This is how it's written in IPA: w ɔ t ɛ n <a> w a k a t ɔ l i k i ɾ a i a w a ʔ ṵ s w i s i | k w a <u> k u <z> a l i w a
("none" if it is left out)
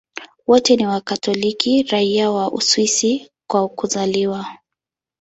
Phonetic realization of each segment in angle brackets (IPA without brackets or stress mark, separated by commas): i, u, z